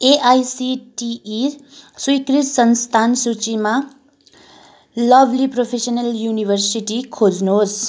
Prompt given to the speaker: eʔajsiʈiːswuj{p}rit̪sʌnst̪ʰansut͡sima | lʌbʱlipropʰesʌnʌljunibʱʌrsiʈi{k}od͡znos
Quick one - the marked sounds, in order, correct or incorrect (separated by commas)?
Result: incorrect, incorrect